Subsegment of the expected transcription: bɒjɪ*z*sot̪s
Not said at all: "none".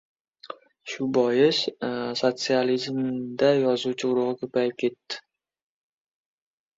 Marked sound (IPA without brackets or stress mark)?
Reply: s